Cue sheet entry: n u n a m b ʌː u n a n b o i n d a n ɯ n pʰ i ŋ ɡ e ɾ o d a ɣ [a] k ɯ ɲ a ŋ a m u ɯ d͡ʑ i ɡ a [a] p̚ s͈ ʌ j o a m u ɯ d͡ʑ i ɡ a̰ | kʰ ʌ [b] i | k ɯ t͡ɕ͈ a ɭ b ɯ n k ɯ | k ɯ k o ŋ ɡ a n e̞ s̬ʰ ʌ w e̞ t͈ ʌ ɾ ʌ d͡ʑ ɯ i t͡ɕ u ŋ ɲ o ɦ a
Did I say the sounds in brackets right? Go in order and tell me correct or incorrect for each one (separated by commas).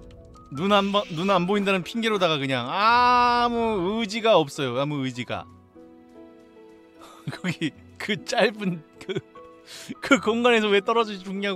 correct, incorrect, incorrect